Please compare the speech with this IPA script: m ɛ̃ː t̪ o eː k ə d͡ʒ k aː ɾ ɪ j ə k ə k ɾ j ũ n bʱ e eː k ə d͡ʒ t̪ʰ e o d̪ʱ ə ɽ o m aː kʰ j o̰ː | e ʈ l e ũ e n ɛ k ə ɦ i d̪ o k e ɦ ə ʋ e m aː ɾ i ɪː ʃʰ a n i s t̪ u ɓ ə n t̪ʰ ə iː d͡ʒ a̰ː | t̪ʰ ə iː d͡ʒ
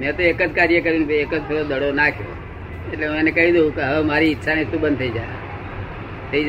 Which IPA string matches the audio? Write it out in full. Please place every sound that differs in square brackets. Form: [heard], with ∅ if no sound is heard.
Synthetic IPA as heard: m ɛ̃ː t̪ o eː k ə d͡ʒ k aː ɾ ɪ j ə k ə [∅] ɾ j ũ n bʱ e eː k ə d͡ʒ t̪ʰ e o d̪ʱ ə ɽ o [n] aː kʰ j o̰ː | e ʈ l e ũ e n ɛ k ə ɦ i d̪ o k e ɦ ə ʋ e m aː ɾ i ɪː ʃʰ a n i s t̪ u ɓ ə n t̪ʰ ə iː d͡ʒ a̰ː | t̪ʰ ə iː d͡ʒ